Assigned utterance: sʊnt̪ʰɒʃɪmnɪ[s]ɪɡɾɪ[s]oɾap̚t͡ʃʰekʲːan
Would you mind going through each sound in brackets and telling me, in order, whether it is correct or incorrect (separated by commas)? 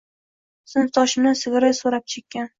correct, correct